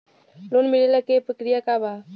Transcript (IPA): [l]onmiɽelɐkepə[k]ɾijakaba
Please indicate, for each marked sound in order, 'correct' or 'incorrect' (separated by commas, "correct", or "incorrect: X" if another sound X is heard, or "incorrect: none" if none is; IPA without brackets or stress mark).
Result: correct, correct